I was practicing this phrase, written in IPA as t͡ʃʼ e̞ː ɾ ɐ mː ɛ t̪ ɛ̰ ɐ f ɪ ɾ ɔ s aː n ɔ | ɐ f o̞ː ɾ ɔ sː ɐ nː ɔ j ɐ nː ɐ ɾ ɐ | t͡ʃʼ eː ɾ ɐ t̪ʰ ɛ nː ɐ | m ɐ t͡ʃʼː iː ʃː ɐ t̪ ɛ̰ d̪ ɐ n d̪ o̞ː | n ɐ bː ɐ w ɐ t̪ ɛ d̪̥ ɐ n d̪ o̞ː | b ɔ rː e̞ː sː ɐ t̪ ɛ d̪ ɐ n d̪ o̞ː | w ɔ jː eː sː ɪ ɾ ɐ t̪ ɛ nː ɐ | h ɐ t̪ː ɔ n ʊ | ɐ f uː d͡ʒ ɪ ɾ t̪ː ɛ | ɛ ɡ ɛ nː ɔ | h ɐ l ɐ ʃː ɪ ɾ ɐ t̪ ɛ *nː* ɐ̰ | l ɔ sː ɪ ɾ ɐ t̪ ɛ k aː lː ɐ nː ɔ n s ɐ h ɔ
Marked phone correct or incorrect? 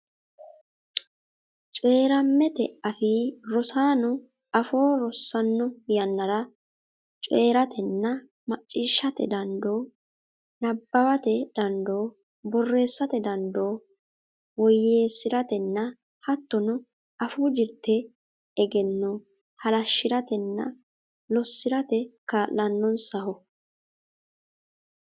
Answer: correct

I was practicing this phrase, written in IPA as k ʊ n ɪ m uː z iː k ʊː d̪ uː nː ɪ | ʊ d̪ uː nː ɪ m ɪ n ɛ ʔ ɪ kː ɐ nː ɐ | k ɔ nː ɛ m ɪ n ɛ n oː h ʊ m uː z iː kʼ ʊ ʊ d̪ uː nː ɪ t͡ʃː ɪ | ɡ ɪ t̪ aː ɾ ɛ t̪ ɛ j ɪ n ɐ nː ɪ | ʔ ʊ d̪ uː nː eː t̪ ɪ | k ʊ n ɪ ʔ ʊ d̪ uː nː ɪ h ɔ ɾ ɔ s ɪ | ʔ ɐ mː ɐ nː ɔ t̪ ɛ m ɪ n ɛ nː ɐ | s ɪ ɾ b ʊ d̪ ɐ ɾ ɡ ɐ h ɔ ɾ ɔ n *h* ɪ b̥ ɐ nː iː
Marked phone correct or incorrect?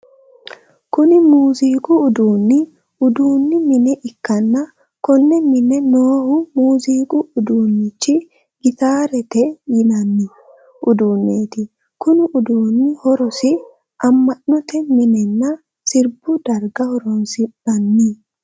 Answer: incorrect: s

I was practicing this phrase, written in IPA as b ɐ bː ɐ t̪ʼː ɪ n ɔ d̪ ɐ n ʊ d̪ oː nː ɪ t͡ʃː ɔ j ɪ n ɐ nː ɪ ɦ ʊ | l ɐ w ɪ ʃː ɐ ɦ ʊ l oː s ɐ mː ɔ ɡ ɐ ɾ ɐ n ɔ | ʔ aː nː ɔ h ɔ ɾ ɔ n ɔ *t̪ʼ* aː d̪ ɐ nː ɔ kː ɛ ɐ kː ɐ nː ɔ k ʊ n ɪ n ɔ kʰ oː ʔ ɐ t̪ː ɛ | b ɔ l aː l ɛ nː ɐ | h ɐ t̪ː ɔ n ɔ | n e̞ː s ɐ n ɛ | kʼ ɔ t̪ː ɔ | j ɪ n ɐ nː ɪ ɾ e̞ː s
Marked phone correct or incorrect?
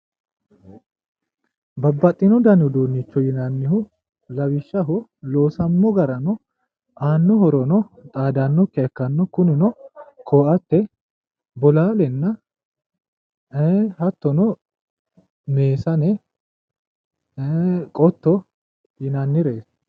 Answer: correct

